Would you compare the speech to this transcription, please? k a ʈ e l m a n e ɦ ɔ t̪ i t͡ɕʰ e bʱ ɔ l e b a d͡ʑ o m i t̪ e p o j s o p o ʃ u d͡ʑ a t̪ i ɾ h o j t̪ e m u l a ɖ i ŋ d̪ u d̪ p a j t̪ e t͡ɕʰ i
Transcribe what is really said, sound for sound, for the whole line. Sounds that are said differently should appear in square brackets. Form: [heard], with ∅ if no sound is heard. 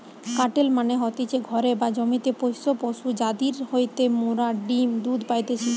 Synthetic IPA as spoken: k a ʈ e l m a n e ɦ ɔ t̪ i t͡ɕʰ e [ɡʱ] ɔ [ɾ] e b a d͡ʑ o m i t̪ e p o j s o p o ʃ u d͡ʑ a [d̪] i ɾ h o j t̪ e m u [ɾ] a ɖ i [m] d̪ u d̪ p a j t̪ e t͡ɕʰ i